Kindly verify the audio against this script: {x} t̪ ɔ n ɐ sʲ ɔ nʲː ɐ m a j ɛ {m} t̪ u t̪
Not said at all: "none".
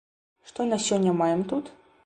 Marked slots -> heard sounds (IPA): ʂ, m

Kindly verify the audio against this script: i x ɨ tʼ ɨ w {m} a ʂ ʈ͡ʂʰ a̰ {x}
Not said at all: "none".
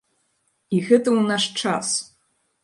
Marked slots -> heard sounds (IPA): n, s

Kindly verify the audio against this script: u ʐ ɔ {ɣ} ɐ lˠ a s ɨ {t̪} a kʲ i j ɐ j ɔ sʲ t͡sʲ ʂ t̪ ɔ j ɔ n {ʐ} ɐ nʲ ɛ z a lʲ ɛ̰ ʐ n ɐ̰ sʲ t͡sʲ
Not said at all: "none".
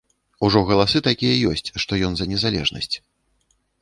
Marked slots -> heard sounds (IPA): ɣ, t̪, z

